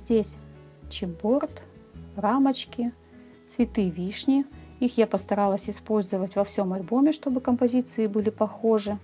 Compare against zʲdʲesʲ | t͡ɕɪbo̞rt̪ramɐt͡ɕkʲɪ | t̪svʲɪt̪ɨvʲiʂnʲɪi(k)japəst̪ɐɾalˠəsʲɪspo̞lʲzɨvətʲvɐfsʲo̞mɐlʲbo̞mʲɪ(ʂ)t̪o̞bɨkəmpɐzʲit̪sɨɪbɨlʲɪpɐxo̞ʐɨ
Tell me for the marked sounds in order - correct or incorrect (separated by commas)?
incorrect, correct